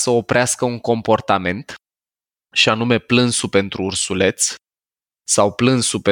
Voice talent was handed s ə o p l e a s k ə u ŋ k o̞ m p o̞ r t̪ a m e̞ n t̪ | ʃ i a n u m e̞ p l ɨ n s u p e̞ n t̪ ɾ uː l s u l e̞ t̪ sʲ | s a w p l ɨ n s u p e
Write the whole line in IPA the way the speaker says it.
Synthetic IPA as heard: s ə o p ɾ e a s k ə u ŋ k o̞ m p o̞ r t̪ a m e̞ n t̪ | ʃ i a n u m e̞ p l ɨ n s u p e̞ n t̪ ɾ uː r s u l e̞ t̪ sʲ | s a w p l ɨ n s u p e